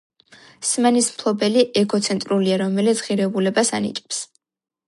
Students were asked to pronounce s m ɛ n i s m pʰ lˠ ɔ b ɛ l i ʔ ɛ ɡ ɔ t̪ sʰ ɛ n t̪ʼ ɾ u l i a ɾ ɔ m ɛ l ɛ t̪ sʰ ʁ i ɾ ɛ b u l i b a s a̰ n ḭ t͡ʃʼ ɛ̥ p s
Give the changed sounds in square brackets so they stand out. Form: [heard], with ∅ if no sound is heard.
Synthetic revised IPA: s m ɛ n i s m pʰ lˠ ɔ b ɛ l i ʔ ɛ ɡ ɔ t̪ sʰ ɛ n t̪ʼ ɾ u l i a ɾ ɔ m ɛ l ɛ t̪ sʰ ʁ i ɾ ɛ b u l [ɛ] b a s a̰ n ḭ t͡ʃʼ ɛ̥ p s

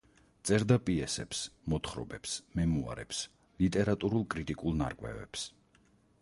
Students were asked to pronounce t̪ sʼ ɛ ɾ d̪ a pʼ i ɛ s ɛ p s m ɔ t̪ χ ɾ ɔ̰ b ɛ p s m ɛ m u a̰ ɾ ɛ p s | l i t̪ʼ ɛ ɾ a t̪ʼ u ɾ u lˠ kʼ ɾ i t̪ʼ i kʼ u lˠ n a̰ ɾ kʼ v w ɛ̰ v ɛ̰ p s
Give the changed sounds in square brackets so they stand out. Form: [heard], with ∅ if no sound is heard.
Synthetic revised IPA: t̪ sʼ ɛ ɾ d̪ a pʼ i ɛ s ɛ p s m ɔ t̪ χ ɾ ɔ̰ b ɛ p s m ɛ m u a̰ ɾ ɛ p s | l i t̪ʼ ɛ ɾ a t̪ʼ u ɾ u lˠ kʼ ɾ i t̪ʼ i kʼ u lˠ n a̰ ɾ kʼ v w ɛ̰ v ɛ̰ p s

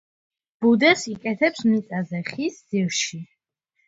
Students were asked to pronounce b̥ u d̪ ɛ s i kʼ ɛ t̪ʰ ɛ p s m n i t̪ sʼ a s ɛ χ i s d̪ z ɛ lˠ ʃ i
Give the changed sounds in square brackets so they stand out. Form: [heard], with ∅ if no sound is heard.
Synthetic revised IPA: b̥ u d̪ ɛ s i kʼ ɛ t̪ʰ ɛ p s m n i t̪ sʼ a [z] ɛ χ i s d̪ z [i] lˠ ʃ i

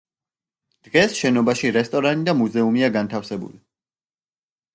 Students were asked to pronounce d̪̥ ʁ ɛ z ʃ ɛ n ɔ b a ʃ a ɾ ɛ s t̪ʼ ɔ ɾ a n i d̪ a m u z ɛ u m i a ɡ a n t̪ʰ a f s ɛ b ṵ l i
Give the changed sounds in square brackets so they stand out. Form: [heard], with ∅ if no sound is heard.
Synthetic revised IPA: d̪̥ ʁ ɛ [s] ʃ ɛ n ɔ b a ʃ [i] ɾ ɛ s t̪ʼ ɔ ɾ a n i d̪ a m u z ɛ u m i a ɡ a n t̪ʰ a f s ɛ b ṵ l i

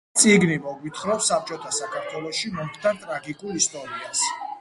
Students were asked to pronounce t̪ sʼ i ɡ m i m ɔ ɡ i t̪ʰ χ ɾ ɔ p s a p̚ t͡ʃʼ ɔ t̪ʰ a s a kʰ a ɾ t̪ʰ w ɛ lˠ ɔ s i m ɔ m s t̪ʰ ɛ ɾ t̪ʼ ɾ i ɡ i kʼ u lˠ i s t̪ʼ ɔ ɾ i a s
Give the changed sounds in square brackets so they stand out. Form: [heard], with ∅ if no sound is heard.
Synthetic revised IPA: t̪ sʼ i ɡ [n] i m ɔ ɡ i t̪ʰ χ ɾ ɔ p s a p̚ t͡ʃʼ ɔ t̪ʰ a s a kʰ a ɾ t̪ʰ w ɛ lˠ ɔ [ʃ] i m ɔ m [χ] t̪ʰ [a] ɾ t̪ʼ ɾ [a] ɡ i kʼ u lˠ i s t̪ʼ ɔ ɾ i a s

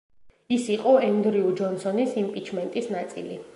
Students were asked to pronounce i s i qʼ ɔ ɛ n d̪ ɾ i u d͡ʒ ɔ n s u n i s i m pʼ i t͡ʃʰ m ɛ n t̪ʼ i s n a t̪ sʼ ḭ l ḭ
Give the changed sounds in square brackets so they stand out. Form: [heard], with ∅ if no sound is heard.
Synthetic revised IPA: i s i qʼ ɔ ɛ n d̪ ɾ i u d͡ʒ ɔ n s [ɔ] n i s i m pʼ i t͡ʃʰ m ɛ n t̪ʼ i s n a t̪ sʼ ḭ l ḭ

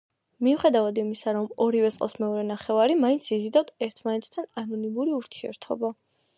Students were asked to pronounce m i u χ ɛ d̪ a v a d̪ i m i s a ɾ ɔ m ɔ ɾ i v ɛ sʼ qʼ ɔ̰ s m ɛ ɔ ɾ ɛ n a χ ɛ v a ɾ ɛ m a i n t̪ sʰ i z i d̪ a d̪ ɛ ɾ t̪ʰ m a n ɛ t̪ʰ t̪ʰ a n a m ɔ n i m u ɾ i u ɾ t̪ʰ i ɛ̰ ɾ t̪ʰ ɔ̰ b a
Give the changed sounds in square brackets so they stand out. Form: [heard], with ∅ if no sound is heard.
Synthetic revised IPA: m i u χ ɛ d̪ a v a d̪ i m i s a ɾ ɔ m ɔ ɾ i v ɛ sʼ qʼ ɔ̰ s m ɛ ɔ ɾ ɛ n a χ ɛ v a ɾ [i] m a i n t̪ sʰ i z i d̪ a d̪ ɛ ɾ t̪ʰ m a n ɛ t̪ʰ t̪ʰ a n a [n] ɔ n i m u ɾ i u ɾ t̪ʰ i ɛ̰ ɾ t̪ʰ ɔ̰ b a

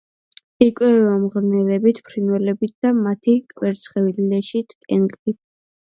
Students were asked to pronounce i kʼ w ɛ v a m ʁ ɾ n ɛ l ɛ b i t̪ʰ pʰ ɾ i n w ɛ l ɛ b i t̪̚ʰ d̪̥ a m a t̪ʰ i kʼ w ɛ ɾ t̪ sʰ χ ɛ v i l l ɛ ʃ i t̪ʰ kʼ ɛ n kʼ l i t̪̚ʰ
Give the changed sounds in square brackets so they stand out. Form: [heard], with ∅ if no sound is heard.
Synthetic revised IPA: i kʼ w ɛ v a m ʁ ɾ n ɛ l ɛ b i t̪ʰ pʰ ɾ i n w ɛ l ɛ b i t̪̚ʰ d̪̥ a m a t̪ʰ i kʼ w ɛ ɾ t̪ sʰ χ ɛ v i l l ɛ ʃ i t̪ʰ kʼ ɛ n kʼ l i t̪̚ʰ

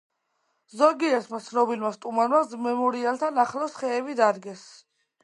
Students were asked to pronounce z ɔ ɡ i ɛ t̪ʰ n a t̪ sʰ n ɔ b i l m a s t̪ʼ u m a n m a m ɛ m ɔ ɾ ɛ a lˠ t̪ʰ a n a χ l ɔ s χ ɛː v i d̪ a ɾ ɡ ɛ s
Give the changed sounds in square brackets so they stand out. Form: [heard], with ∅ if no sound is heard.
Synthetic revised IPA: z ɔ ɡ i ɛ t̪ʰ [m] a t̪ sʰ n ɔ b i l m a s t̪ʼ u m a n m a m ɛ m ɔ ɾ [i] a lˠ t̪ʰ a n a χ l ɔ s χ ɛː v i d̪ a ɾ ɡ ɛ s

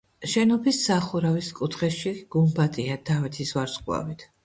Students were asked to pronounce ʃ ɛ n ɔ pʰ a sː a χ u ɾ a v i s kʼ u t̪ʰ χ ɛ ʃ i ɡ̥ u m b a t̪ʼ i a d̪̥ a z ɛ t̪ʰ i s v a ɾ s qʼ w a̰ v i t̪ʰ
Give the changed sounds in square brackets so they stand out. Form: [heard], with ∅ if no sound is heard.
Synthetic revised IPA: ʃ ɛ n ɔ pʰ [i] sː a χ u ɾ a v i s kʼ u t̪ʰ χ ɛ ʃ i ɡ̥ u m b a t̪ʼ i a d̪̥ a [v] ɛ t̪ʰ i s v a ɾ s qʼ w a̰ v i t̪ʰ

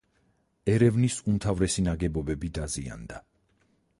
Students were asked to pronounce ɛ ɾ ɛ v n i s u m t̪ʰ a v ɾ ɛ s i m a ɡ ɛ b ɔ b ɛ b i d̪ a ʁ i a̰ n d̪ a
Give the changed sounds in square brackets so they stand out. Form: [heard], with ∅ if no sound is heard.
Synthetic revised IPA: ɛ ɾ ɛ v n i s u m t̪ʰ a v ɾ ɛ s i [n] a ɡ ɛ b ɔ b ɛ b i d̪ a [z] i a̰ n d̪ a

